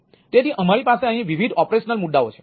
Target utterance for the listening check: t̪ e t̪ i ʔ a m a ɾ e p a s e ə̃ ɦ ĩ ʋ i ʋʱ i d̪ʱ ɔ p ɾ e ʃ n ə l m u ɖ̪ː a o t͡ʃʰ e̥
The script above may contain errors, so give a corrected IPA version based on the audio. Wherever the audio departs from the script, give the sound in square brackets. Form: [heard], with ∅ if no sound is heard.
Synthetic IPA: t̪ e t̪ i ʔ [ə] m a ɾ [i] p a s e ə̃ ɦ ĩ ʋ i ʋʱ i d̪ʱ ɔ p ɾ e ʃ n ə l m u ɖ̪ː a o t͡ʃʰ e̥